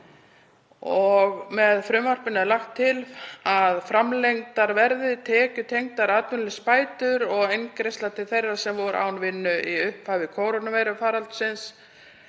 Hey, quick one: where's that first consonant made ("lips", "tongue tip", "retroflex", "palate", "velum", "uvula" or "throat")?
velum